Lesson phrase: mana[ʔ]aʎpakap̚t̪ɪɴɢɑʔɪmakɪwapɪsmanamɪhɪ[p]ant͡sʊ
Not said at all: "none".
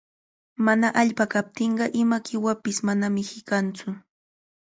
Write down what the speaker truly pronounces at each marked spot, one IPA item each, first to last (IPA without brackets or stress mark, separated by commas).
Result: ʔ, k